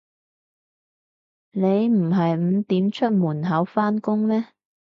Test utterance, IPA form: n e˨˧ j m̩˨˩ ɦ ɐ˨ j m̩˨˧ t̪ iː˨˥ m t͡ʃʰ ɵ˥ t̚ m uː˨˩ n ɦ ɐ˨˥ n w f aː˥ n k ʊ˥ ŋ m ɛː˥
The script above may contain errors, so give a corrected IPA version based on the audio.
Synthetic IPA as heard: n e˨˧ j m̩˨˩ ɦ ɐ˨ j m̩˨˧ t̪ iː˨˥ m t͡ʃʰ ɵ˥ t̚ m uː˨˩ n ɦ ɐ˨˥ w f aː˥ n k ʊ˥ ŋ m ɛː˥